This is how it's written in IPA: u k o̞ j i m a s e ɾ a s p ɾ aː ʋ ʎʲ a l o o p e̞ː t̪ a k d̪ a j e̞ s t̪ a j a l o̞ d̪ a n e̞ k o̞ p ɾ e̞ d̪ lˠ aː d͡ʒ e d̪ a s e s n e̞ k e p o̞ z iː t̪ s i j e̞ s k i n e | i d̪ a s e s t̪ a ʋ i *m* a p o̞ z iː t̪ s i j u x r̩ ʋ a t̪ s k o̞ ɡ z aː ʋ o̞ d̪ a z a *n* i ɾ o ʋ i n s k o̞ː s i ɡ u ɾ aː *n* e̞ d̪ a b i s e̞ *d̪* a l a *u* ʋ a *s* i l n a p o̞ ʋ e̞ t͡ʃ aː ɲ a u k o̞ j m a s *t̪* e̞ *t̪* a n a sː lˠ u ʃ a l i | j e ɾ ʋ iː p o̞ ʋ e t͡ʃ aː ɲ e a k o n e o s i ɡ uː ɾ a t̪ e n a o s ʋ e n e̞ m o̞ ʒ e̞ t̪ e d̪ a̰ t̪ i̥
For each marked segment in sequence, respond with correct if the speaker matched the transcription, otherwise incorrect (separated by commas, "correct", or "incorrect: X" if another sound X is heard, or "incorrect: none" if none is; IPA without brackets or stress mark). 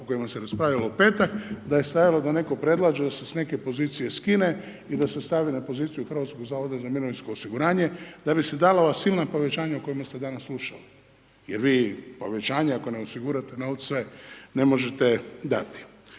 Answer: incorrect: n, incorrect: m, incorrect: ɲ, correct, incorrect: o, correct, correct, incorrect: d̪